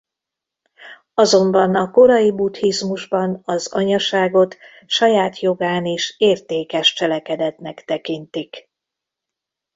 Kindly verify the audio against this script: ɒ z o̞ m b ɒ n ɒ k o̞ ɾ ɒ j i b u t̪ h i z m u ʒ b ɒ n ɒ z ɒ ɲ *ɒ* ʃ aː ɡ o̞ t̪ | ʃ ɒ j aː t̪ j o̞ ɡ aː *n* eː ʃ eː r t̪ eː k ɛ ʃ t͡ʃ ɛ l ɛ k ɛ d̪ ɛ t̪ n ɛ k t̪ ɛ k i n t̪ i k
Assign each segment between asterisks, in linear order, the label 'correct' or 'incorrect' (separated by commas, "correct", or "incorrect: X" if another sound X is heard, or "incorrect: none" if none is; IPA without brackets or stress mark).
correct, correct